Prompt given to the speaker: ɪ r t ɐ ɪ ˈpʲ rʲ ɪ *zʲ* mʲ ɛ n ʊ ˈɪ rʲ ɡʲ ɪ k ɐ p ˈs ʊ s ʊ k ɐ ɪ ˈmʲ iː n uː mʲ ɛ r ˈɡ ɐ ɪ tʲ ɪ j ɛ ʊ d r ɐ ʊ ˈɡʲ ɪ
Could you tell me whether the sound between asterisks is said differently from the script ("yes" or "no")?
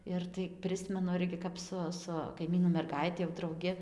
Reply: yes